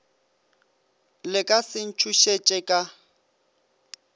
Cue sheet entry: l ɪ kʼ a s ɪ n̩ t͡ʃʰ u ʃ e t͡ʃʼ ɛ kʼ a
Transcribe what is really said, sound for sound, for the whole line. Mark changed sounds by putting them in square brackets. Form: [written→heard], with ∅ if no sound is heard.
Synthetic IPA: l ɪ kʼ a s ɪ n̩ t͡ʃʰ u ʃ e t͡ʃʼ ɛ kʼ a